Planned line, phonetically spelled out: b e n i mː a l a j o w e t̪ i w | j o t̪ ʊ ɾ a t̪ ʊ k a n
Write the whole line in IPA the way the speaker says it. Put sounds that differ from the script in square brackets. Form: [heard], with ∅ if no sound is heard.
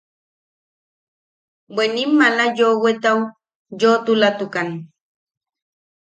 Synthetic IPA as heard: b e n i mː a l a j o w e t̪ [a] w | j o t̪ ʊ [l] a t̪ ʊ k a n